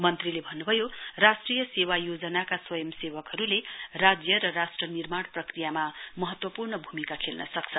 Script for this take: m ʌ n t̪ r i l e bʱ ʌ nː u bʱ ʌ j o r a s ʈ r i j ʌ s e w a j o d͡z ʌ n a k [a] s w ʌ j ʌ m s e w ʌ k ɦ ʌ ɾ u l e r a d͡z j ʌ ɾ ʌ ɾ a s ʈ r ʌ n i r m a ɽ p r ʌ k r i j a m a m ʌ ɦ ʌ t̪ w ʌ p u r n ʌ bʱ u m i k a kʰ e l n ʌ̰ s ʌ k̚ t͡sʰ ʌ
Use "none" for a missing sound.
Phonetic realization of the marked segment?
a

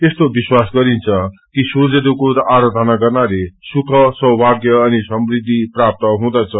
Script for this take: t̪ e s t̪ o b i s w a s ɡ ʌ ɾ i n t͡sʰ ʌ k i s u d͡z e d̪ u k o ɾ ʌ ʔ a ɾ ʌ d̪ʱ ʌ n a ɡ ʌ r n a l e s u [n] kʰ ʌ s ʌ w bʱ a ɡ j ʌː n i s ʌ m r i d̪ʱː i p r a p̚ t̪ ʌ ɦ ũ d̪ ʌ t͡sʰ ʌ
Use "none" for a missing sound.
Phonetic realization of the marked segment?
none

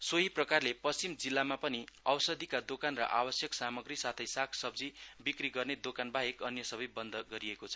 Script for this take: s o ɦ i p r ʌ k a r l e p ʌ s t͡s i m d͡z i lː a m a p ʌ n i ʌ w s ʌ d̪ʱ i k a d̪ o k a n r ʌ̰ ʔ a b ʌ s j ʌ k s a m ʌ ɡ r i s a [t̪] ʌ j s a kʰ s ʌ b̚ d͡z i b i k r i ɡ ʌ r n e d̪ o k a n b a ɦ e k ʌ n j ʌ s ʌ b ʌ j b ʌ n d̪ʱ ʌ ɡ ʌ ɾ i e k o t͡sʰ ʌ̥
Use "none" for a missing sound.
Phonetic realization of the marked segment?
t̪ʰ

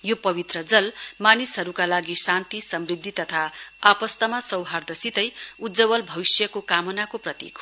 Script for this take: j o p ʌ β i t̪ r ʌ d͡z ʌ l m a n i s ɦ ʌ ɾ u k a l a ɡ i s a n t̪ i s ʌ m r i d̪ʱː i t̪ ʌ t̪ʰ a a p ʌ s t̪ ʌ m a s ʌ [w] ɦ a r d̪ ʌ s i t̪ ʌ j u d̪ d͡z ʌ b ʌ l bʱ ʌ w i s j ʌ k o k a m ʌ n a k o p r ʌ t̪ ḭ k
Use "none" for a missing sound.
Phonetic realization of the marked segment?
w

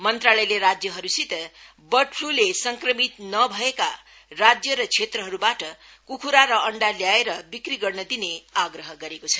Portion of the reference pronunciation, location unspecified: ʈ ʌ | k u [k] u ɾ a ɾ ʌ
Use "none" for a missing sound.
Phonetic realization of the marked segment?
kʰ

